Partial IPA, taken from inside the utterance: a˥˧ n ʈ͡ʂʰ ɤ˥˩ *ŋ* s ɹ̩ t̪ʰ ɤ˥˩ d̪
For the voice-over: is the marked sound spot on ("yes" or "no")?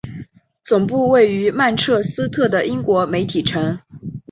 no